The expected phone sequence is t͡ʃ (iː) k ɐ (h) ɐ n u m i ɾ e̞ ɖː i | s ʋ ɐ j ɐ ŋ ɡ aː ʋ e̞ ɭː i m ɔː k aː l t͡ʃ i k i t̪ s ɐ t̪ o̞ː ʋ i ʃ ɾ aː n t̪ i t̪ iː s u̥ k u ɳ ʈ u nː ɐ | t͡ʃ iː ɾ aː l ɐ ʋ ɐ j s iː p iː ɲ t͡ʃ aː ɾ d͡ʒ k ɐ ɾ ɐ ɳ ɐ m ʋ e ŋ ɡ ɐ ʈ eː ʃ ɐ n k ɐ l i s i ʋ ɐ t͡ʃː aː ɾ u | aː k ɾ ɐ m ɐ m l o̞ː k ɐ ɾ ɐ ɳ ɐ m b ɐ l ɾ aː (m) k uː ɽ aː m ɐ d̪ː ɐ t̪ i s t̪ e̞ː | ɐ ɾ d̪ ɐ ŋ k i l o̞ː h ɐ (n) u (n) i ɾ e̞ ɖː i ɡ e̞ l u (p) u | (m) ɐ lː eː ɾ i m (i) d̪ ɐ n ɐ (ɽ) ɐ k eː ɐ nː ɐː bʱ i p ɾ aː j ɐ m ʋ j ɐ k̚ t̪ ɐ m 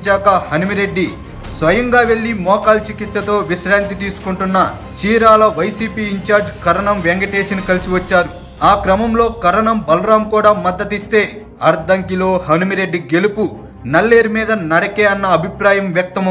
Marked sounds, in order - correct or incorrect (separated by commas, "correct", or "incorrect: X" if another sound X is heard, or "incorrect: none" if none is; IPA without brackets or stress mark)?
incorrect: aː, correct, correct, correct, incorrect: m, correct, incorrect: n, incorrect: iː, correct